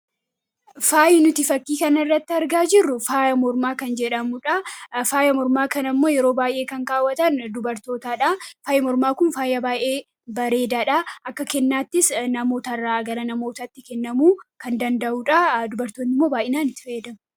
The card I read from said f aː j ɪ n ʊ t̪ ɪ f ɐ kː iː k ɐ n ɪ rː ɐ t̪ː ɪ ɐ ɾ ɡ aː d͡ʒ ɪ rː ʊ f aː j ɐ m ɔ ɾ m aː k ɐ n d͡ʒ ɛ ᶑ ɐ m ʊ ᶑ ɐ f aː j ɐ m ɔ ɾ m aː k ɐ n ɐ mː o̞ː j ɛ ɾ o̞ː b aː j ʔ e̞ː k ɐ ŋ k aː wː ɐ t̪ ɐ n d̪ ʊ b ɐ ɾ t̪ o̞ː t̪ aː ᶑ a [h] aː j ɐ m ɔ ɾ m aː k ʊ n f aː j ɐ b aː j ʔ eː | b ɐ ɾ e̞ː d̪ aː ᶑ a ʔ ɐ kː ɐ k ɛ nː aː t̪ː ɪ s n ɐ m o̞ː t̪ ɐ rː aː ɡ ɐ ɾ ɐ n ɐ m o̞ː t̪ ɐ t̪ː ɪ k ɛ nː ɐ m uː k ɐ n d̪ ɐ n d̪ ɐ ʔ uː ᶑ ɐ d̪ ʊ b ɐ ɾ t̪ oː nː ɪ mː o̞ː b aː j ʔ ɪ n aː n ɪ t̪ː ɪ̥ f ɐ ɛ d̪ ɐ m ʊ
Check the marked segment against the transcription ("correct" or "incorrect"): incorrect